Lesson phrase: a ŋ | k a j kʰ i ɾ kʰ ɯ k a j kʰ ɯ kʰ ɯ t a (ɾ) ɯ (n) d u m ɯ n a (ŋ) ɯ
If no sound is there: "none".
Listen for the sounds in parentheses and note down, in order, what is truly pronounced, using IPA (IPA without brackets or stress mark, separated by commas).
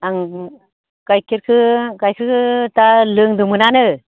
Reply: l, ŋ, n